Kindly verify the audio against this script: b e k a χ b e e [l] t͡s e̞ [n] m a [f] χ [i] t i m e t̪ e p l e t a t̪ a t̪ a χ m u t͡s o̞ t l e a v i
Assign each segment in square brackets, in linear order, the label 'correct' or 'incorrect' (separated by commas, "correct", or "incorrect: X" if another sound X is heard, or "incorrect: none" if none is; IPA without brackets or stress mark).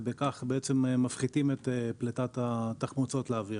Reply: incorrect: none, incorrect: m, correct, correct